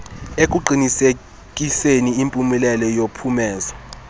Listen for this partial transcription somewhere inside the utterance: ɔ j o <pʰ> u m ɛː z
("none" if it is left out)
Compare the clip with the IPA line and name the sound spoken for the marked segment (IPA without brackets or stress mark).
pʰ